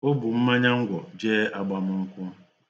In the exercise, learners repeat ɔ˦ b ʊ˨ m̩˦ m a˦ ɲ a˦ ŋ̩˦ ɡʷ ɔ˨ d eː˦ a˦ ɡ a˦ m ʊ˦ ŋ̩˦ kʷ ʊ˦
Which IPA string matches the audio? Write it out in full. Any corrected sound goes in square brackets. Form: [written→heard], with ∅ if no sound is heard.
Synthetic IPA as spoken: [ɔ˦→o˦] b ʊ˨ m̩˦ m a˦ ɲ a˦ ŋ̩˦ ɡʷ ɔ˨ [d→d͡ʒ] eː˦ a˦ [ɡ→ɡ͡b] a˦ m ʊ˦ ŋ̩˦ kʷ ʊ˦

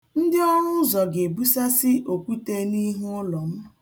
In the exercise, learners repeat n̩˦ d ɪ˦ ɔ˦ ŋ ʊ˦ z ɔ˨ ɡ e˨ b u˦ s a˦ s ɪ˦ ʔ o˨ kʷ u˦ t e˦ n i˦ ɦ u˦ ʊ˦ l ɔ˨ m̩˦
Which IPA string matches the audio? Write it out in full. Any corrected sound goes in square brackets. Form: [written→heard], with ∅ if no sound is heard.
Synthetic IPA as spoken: n̩˦ d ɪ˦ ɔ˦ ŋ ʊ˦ z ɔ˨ ɡ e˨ b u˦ s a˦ s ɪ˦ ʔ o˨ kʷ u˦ t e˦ n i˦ ɦ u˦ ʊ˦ l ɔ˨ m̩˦

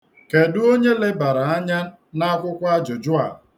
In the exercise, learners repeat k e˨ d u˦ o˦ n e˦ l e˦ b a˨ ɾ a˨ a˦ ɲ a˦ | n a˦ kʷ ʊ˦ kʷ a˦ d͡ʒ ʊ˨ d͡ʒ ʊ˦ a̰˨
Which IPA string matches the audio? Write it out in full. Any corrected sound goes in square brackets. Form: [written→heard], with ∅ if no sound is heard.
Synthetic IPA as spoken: k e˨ d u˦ o˦ [n→ɲ] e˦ l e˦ b a˨ ɾ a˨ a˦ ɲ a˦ | n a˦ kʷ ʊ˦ kʷ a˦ d͡ʒ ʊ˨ d͡ʒ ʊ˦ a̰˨

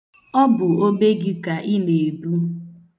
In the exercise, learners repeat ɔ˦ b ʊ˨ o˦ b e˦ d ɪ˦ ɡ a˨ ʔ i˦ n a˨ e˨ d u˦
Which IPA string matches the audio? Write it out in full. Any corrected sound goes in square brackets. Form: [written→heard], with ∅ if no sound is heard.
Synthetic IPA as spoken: ɔ˦ b ʊ˨ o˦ b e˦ [d→ɡ] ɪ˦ [ɡ→k] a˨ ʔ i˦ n [a˨→e˨] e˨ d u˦

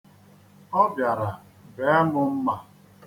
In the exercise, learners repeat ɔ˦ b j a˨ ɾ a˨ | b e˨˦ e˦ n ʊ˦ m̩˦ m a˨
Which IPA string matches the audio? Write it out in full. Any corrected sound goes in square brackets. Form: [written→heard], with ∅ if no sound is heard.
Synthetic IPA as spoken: ɔ˦ b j a˨ ɾ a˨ | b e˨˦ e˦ [n→m] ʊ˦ m̩˦ m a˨

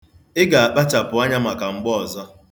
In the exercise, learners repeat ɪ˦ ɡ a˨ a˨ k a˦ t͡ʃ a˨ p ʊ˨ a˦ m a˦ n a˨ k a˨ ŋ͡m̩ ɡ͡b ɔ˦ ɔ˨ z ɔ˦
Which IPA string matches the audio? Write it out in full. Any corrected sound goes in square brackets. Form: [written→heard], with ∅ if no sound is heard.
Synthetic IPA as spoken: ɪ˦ ɡ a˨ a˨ [k→k͡p] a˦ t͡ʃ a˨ p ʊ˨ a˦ [m→ɲ] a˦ [n→m] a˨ k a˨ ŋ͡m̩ ɡ͡b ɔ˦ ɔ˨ z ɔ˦

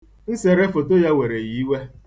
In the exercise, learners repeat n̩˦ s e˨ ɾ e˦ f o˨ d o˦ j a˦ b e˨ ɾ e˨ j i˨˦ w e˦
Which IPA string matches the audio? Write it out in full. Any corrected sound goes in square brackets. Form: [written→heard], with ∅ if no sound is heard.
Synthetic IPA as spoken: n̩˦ s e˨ ɾ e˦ f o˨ [d→t] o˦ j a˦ [b→w] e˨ ɾ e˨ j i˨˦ w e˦

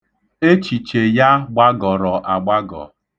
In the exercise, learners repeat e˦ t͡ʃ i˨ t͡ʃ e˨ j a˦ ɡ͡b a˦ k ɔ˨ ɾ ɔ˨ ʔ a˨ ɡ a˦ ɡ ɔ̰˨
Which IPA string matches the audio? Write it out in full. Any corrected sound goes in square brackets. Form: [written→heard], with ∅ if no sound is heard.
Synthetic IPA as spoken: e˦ t͡ʃ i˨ t͡ʃ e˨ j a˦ ɡ͡b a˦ [k→ɡ] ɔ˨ ɾ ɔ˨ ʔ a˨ [ɡ→ɡ͡b] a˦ ɡ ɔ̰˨

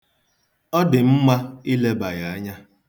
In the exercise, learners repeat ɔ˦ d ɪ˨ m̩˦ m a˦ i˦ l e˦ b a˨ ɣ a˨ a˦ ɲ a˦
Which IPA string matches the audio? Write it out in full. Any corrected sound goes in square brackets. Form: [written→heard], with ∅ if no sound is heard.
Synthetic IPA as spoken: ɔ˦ d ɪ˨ m̩˦ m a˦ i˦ l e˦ b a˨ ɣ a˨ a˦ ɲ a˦

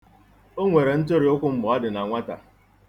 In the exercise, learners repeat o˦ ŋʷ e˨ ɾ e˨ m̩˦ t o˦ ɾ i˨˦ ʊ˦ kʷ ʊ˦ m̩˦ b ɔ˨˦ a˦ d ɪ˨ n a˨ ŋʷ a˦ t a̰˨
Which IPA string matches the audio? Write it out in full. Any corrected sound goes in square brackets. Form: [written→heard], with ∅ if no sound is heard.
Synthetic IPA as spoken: o˦ ŋʷ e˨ ɾ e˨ [m̩˦→n̩˦] t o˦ ɾ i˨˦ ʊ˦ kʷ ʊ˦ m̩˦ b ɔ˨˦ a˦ d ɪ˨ n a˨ ŋʷ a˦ t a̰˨

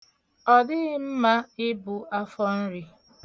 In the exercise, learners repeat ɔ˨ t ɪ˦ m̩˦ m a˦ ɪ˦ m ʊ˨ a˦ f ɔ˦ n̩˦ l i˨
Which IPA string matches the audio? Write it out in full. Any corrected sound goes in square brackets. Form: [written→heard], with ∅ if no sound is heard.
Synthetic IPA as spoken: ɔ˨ [t→d] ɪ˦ m̩˦ m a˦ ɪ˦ [m→b] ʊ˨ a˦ f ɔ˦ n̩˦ [l→ɾ] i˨

